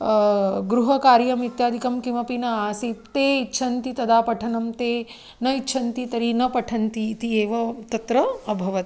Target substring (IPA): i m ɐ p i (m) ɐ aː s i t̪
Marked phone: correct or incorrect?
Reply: incorrect: n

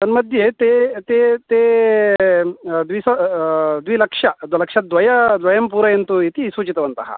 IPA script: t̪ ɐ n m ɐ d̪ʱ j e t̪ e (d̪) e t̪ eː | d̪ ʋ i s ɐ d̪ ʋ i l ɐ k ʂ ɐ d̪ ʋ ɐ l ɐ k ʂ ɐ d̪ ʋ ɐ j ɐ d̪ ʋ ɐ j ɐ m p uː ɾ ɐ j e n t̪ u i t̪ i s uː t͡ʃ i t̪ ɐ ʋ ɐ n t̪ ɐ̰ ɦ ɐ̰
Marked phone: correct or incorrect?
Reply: incorrect: t̪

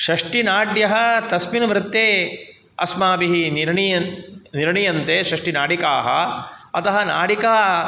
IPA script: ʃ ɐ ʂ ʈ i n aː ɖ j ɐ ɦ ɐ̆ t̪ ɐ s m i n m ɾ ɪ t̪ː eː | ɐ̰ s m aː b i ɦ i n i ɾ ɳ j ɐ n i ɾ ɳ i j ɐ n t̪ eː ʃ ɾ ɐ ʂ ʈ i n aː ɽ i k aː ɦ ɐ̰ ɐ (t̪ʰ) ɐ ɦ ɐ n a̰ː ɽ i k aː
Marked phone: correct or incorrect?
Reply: incorrect: t̪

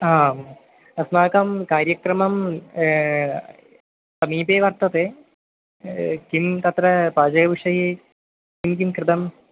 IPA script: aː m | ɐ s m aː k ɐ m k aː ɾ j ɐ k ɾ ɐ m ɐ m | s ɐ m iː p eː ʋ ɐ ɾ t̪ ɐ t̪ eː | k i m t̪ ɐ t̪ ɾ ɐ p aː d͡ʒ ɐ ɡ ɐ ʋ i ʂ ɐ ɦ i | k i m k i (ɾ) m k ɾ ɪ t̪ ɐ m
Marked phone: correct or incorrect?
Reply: incorrect: none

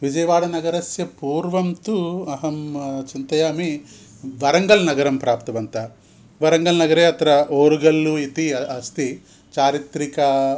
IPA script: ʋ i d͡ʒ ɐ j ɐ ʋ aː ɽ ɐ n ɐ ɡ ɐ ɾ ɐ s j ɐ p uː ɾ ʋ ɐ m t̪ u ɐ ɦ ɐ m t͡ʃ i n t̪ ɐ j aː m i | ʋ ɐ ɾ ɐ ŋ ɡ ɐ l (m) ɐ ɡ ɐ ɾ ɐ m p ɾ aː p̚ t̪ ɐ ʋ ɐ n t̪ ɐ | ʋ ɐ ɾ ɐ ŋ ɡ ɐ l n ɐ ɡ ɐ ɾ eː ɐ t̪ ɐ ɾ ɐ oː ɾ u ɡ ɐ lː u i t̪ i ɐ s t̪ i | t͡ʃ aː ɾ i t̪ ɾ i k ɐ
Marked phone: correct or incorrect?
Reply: incorrect: n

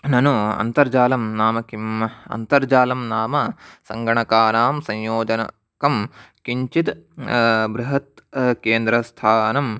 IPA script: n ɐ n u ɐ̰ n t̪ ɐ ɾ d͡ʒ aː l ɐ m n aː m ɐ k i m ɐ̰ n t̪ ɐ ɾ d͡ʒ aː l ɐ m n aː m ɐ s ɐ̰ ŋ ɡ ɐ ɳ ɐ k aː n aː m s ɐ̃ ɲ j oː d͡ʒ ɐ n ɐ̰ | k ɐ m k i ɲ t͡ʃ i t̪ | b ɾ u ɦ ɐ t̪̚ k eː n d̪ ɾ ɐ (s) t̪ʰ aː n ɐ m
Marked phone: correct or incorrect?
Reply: correct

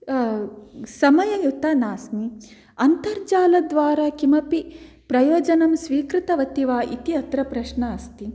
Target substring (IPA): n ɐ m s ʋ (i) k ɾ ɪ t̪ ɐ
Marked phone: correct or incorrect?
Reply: incorrect: iː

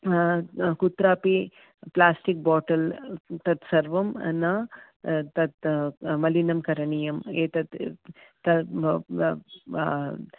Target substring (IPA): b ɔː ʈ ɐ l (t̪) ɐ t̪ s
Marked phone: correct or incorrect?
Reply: correct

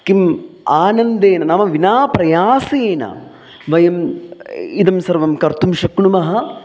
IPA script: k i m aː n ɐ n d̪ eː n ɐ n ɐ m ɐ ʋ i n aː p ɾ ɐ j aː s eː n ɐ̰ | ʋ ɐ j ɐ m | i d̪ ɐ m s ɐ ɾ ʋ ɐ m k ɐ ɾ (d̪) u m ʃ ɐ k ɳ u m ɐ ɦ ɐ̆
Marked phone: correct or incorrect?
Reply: incorrect: t̪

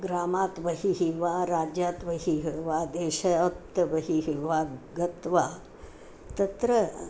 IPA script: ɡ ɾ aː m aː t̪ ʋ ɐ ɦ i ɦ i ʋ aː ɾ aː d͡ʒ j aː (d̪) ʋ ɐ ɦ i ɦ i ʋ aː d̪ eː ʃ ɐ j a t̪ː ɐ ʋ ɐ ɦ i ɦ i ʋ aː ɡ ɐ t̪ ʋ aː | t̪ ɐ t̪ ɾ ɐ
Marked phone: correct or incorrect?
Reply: incorrect: t̪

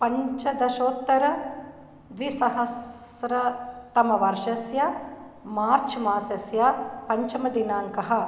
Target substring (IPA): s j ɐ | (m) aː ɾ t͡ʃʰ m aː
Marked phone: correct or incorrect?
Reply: correct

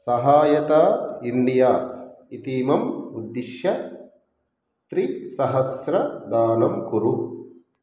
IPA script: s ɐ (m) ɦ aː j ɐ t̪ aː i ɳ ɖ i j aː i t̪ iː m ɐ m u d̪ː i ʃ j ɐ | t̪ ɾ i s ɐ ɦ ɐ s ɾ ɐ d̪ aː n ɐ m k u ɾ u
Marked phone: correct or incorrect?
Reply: incorrect: none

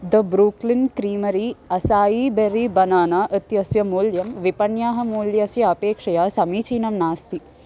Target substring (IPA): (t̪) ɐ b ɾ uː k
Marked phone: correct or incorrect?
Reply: incorrect: d̪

